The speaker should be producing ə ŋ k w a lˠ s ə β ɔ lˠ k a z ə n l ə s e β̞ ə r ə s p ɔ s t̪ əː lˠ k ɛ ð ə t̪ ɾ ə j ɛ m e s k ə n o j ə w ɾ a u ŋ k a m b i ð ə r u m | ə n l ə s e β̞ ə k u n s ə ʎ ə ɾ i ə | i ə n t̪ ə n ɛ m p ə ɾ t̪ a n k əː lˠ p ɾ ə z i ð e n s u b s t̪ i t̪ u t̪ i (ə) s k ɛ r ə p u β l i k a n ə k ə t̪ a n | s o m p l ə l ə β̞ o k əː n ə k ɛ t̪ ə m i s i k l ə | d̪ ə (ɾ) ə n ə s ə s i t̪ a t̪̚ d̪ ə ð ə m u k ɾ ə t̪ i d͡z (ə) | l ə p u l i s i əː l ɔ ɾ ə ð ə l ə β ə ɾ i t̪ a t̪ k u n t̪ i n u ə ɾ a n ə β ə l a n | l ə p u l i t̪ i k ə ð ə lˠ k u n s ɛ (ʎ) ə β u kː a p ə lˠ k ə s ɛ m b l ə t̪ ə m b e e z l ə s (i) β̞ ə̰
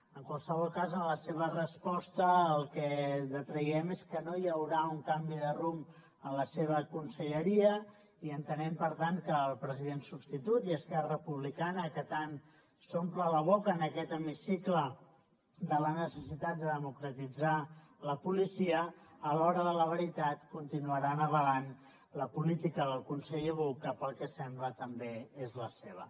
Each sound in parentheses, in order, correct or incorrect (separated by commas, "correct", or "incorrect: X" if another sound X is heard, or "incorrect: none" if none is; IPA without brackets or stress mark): correct, incorrect: l, incorrect: a, correct, incorrect: e